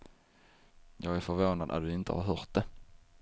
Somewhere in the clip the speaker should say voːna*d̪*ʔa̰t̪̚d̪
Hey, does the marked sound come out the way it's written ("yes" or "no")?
yes